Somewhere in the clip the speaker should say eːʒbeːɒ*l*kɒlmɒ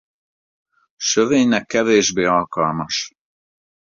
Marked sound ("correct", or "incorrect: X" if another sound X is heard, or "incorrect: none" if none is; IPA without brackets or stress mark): correct